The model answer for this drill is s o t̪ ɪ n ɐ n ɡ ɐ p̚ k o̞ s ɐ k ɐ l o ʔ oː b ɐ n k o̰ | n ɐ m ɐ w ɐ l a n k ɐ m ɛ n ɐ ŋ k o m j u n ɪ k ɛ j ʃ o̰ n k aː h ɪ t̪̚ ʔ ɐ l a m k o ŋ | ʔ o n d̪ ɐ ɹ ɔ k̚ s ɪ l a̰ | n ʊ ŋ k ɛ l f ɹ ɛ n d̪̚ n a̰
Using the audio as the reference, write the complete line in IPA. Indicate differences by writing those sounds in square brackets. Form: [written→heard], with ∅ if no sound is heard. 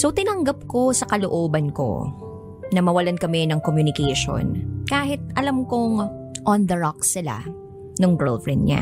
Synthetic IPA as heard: s o t̪ ɪ n ɐ [n→ŋ] ɡ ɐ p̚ k o̞ s ɐ k ɐ l o ʔ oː b ɐ n k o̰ | n ɐ m ɐ w ɐ l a n k ɐ m ɛ n ɐ ŋ k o m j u n ɪ k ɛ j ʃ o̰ n k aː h ɪ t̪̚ ʔ ɐ l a m k o ŋ | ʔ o n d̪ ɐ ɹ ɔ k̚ s ɪ l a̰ | n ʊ ŋ [k→ɡ] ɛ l f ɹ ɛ n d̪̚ [n→ɲ] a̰